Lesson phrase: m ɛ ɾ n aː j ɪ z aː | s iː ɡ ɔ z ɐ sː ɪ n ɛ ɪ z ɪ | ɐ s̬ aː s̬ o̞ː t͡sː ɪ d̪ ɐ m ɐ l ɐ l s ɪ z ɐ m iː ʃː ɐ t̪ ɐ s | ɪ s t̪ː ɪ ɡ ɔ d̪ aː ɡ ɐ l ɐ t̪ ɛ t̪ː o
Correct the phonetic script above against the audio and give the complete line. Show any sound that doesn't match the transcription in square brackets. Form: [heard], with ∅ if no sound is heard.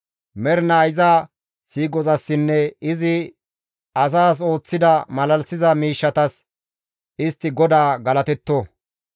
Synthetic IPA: m ɛ ɾ n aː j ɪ z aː | s iː ɡ ɔ z ɐ sː ɪ [nː] ɛ ɪ z ɪ | ɐ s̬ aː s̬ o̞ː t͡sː ɪ d̪ ɐ m ɐ l ɐ l s ɪ z ɐ m iː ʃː ɐ t̪ ɐ s | ɪ s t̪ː ɪ ɡ ɔ d̪ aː ɡ ɐ l ɐ t̪ ɛ t̪ː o

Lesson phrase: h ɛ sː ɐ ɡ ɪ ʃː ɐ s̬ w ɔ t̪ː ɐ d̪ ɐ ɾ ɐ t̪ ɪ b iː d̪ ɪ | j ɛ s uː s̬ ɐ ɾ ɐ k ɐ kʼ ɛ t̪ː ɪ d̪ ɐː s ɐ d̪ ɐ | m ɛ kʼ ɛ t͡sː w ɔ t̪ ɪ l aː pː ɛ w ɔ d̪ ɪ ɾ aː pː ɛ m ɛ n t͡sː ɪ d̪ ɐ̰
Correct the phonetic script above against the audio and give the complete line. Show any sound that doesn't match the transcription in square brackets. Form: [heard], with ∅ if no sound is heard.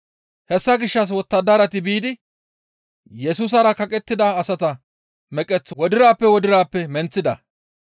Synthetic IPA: h ɛ sː ɐ ɡ ɪ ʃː ɐ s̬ w ɔ t̪ː ɐ d̪ ɐ ɾ ɐ t̪ ɪ b iː d̪ ɪ | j ɛ s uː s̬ ɐ ɾ ɐ k ɐ kʼ ɛ t̪ː ɪ d̪ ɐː s ɐ [t̪] ɐ | m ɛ kʼ ɛ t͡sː w ɔ [d̪] ɪ [ɾ] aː pː ɛ w ɔ d̪ ɪ ɾ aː pː ɛ m ɛ n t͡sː ɪ d̪ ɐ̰

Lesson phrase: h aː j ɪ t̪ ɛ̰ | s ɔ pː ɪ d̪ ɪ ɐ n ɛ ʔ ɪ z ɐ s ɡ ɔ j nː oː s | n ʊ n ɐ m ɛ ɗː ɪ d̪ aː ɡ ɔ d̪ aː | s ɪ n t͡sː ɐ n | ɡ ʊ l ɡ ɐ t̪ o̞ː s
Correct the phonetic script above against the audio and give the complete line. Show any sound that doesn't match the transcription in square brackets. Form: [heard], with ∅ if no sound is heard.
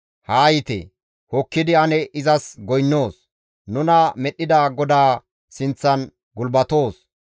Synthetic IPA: h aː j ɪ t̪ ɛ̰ | [h] ɔ [kː] ɪ d̪ ɪ ɐ n ɛ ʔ ɪ z ɐ s ɡ ɔ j nː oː s | n ʊ n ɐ m ɛ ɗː ɪ d̪ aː ɡ ɔ d̪ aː | s ɪ n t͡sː ɐ n | ɡ ʊ l [b] ɐ t̪ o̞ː s

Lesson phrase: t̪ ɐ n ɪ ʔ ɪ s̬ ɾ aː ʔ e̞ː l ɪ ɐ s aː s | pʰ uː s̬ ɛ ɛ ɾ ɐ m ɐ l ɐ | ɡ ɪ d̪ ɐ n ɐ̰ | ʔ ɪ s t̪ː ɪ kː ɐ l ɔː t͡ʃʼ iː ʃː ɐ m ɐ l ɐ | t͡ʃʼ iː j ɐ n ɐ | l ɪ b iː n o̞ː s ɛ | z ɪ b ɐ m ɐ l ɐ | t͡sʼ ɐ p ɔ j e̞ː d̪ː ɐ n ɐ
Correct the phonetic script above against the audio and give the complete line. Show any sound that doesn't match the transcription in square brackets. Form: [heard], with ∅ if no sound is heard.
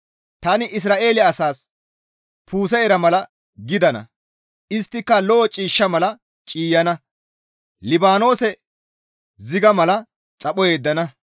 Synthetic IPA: t̪ ɐ n ɪ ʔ ɪ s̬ ɾ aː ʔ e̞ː l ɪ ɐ s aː s | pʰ uː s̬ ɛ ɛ ɾ ɐ m ɐ l ɐ | ɡ ɪ d̪ ɐ n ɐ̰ | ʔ ɪ s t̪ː ɪ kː ɐ l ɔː t͡ʃʼ iː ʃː ɐ m ɐ l ɐ | t͡ʃʼ iː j ɐ n ɐ | l ɪ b [aː] n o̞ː s ɛ | z ɪ [ɡ] ɐ m ɐ l ɐ | t͡sʼ ɐ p ɔ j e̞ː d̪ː ɐ n ɐ

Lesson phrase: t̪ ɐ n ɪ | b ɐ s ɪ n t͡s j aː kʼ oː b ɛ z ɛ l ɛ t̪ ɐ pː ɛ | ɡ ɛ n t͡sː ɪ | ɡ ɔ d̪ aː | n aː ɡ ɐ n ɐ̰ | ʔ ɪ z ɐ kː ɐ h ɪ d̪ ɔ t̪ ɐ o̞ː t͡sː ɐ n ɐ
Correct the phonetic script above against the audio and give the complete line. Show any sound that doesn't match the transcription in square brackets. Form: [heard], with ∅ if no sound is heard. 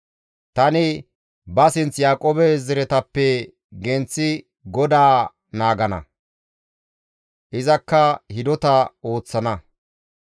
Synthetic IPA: t̪ ɐ n ɪ | b ɐ s ɪ n t͡s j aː kʼ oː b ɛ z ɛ [ɾ] ɛ t̪ ɐ pː ɛ | ɡ ɛ n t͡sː ɪ | ɡ ɔ d̪ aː | n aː ɡ ɐ n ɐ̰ | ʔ ɪ z ɐ kː ɐ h ɪ d̪ ɔ t̪ ɐ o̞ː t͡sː ɐ n ɐ

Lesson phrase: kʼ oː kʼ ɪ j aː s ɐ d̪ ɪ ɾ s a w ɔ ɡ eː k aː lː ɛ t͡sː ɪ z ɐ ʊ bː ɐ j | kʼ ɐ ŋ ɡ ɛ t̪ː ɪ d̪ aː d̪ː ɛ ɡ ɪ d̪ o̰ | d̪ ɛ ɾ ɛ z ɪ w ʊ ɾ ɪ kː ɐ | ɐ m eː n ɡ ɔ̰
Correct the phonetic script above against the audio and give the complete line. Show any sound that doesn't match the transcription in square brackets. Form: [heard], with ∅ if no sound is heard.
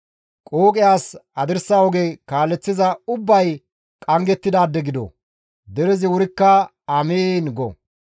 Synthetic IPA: kʼ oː kʼ ɪ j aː s ɐ d̪ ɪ ɾ s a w ɔ ɡ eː k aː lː ɛ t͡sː ɪ z ɐ ʊ bː ɐ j | kʼ ɐ ŋ ɡ ɛ t̪ː ɪ d̪ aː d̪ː ɛ ɡ ɪ d̪ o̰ | d̪ ɛ ɾ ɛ z ɪ w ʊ ɾ ɪ kː ɐ | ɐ m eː n ɡ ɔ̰

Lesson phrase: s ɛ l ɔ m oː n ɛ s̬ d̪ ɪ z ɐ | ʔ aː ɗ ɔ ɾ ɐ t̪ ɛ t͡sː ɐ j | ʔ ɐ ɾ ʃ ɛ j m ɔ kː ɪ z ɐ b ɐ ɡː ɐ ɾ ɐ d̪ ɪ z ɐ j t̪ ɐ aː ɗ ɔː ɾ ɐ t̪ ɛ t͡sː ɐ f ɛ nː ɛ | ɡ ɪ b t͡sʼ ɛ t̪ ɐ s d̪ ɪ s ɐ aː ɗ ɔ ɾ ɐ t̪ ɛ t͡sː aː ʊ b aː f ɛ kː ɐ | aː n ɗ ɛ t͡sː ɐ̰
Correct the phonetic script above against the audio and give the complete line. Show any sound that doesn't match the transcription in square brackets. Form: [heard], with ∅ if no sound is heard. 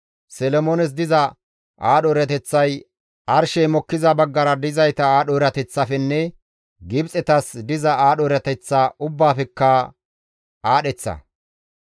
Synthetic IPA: s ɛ l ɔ m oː n ɛ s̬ d̪ ɪ z ɐ | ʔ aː ɗ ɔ ɾ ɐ t̪ ɛ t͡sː ɐ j | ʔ ɐ ɾ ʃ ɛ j m ɔ kː ɪ z ɐ b ɐ ɡː ɐ ɾ ɐ d̪ ɪ z ɐ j t̪ ɐ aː ɗ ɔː ɾ ɐ t̪ ɛ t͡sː ɐ f ɛ nː ɛ | ɡ ɪ b t͡sʼ ɛ t̪ ɐ s d̪ ɪ [z] ɐ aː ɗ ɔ ɾ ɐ t̪ ɛ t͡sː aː ʊ [bː] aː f ɛ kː ɐ | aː [∅] ɗ ɛ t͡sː ɐ̰

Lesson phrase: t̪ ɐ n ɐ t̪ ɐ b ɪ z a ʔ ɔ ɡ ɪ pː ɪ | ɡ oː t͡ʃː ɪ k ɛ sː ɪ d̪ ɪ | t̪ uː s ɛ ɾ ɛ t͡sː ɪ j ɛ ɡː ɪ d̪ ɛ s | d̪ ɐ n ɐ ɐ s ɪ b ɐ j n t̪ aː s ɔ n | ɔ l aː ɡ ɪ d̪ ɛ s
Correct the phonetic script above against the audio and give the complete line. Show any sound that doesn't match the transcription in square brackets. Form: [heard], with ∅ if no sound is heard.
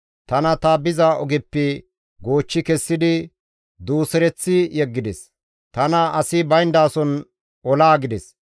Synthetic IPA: t̪ ɐ n ɐ t̪ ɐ b ɪ z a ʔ ɔ ɡ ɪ pː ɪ | ɡ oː t͡ʃː ɪ k ɛ sː ɪ d̪ ɪ | [d̪] uː s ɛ ɾ ɛ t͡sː ɪ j ɛ ɡː ɪ d̪ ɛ s | [t̪] ɐ n ɐ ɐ s ɪ b ɐ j n [d̪] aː s ɔ n | ɔ l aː ɡ ɪ d̪ ɛ s

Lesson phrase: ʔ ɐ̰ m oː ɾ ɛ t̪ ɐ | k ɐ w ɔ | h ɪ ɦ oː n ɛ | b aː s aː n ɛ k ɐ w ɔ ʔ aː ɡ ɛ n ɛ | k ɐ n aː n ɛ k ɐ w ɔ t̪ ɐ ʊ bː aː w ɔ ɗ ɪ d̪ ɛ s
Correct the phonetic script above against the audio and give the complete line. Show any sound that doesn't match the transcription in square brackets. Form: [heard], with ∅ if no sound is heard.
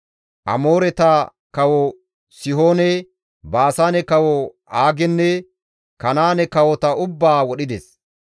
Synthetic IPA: ʔ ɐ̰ m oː ɾ ɛ t̪ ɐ | k ɐ w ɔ | [s] ɪ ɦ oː n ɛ | b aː s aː n ɛ k ɐ w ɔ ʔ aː ɡ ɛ [nː] ɛ | k ɐ n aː n ɛ k ɐ w ɔ t̪ ɐ ʊ bː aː w ɔ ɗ ɪ d̪ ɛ s

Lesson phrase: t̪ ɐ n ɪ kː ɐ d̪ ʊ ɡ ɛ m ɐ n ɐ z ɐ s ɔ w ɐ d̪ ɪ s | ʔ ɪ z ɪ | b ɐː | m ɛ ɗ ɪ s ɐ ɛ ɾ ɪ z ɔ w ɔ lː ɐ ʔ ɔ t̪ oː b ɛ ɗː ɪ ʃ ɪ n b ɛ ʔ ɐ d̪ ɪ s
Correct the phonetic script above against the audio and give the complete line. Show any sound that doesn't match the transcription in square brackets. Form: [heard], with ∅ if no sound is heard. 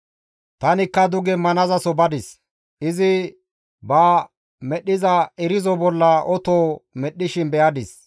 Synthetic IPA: t̪ ɐ n ɪ kː ɐ d̪ ʊ ɡ ɛ m ɐ n ɐ z ɐ s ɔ [b] ɐ d̪ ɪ s | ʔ ɪ z ɪ | b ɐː | m ɛ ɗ ɪ [z] ɐ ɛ ɾ ɪ z ɔ [b] ɔ lː ɐ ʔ ɔ t̪ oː [m] ɛ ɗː ɪ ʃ ɪ n b ɛ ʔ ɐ d̪ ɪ s

